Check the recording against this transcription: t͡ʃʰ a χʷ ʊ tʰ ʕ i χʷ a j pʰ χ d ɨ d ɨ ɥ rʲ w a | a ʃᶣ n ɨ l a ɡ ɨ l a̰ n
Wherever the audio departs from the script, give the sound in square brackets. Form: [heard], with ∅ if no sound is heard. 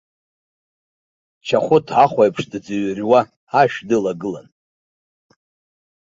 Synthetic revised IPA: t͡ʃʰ a χʷ ʊ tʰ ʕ [a] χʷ a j pʰ [ʂ] d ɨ [d͡z] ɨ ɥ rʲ w a | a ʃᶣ [d] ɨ l a ɡ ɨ l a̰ n